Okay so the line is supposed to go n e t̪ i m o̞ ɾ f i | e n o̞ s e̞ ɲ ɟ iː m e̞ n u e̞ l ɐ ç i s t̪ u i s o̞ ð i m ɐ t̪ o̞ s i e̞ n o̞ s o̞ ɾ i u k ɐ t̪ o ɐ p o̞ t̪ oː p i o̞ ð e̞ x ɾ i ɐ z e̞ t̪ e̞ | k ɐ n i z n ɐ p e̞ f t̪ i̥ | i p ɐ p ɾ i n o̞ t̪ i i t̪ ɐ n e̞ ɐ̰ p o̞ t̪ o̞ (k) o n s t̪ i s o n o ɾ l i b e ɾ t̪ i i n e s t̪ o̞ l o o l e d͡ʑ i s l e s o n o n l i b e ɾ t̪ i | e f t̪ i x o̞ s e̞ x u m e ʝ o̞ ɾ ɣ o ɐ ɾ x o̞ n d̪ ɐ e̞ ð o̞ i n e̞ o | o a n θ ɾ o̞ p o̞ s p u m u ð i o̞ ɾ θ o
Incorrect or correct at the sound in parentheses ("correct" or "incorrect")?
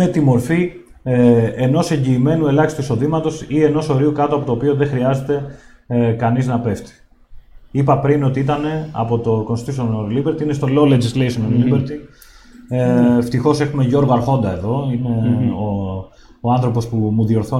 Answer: correct